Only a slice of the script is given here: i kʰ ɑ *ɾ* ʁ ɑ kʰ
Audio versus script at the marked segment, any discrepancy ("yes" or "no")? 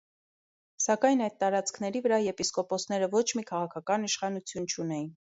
yes